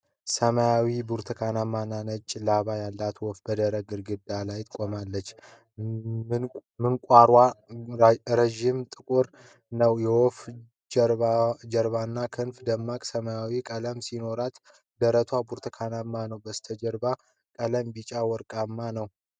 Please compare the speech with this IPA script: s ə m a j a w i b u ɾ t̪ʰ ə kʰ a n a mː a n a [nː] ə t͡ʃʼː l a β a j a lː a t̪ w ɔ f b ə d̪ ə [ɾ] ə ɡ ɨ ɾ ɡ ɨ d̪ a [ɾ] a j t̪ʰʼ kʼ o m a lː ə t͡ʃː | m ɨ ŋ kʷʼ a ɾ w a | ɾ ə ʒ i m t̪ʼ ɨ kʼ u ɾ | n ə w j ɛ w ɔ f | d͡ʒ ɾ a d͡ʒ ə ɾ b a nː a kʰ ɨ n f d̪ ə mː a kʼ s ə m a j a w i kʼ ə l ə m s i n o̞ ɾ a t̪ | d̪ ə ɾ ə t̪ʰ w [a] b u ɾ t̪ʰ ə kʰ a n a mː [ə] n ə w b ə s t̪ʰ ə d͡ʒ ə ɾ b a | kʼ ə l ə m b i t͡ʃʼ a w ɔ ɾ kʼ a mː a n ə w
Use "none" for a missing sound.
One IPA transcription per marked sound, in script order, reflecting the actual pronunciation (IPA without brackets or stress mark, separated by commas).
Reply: n, ɾ, l, a, a